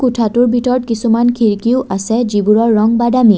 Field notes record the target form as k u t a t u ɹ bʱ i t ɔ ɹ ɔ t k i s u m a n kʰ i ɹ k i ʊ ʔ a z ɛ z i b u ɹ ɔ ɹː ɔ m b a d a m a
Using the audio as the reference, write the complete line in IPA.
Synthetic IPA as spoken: k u tʰ a t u ɹ bʱ i t ɔ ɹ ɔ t k i s u m a n kʰ i ɹ k i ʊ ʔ a s ɛ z i b u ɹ ɔ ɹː ɔ ŋ b a d a m i

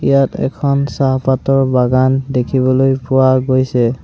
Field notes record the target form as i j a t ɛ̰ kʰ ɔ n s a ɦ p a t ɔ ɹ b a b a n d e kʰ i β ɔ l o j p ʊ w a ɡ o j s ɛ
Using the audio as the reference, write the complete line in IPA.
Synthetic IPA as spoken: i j a t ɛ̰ kʰ ɔ n s a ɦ p a t ɔ ɹ b a ɡ a n d e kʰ i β ɔ l o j p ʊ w a ɡ o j s ɛ

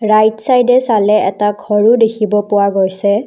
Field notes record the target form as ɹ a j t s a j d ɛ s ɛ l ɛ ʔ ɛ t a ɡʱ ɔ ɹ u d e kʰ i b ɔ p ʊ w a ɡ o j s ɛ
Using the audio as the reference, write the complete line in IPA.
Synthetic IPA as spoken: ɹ a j t s a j d ɛ s a l ɛ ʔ ɛ t a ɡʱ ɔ ɹ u d e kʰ i b ɔ p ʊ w a ɡ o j s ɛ

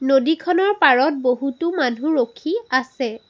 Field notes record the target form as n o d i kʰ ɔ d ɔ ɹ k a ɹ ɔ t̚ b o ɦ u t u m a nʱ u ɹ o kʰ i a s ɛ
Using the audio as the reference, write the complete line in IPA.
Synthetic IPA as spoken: n o d i kʰ ɔ n ɔ ɹ p a ɹ ɔ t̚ b o ɦ u t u m a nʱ u ɹ o kʰ i a s ɛ

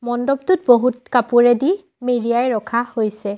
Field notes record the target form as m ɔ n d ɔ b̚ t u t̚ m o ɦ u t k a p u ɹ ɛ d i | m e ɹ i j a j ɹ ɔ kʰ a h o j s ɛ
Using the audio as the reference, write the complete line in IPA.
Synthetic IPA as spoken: m ɔ n d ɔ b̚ t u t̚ b o ɦ u t k a p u ɹ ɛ d i | m e ɹ i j a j ɹ ɔ kʰ a h o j s ɛ

